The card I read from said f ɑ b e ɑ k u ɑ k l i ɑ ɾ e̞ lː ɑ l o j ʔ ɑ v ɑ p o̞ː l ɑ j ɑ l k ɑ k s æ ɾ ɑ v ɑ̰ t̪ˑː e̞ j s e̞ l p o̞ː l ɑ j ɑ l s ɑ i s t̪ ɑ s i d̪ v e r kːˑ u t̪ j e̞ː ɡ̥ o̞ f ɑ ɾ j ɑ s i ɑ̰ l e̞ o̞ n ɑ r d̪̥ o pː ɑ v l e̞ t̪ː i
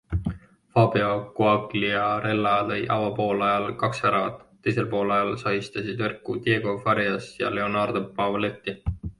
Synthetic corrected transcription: f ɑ b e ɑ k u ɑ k l i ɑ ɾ e̞ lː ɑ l ɤ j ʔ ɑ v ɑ p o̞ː l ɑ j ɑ l k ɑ k s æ ɾ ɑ v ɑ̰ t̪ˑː e̞ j s e̞ l p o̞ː l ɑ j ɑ l s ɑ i s t̪ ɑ s i d̪ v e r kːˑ u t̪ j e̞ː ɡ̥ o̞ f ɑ ɾ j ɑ s j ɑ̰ l e̞ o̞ n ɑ r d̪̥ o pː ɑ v l e̞ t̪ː i